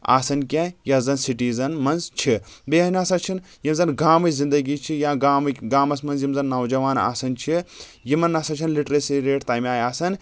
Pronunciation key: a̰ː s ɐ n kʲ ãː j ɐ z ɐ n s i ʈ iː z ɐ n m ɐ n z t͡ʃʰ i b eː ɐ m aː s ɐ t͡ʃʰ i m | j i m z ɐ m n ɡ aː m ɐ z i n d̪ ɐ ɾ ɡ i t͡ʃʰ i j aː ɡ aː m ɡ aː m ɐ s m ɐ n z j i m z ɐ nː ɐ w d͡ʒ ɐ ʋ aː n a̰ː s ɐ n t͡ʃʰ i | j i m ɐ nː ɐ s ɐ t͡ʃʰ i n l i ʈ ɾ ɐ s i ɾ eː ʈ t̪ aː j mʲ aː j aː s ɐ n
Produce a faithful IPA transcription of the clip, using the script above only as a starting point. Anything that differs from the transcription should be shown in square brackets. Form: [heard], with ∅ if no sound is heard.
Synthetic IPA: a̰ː s ɐ n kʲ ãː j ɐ z ɐ n s i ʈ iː z ɐ n m ɐ n z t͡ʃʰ i b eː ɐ [n] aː s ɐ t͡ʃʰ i [n] | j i m z ɐ [∅] n ɡ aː m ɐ z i n d̪ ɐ [∅] ɡ i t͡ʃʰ i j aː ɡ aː m ɡ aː m ɐ s m ɐ n z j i m z ɐ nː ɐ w d͡ʒ ɐ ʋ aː n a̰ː s ɐ n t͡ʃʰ i | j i m ɐ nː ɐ s ɐ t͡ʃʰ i n l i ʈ ɾ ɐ s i ɾ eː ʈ t̪ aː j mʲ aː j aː s ɐ n